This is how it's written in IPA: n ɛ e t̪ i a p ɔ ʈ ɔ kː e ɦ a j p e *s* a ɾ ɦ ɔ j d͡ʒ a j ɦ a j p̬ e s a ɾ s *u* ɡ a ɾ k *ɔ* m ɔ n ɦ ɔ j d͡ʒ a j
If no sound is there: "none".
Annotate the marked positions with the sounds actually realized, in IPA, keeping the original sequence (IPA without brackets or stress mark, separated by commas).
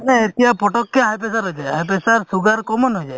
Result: s, u, ɔ